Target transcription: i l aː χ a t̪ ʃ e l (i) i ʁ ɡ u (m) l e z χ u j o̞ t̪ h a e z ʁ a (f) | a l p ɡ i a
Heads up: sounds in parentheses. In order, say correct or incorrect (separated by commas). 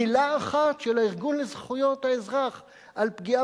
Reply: incorrect, incorrect, incorrect